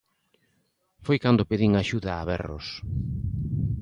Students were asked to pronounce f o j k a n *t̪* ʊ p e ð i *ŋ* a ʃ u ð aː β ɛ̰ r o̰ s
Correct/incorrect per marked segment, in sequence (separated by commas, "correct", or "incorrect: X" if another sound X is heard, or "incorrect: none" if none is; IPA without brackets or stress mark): incorrect: d̪, correct